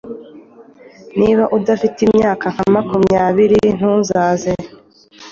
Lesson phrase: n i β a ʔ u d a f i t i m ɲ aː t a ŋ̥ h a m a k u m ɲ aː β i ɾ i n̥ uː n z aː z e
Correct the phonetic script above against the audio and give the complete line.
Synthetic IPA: n i β a ʔ u d a f i t i m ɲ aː k a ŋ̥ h a m a k u m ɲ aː β i ɾ i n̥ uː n z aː z e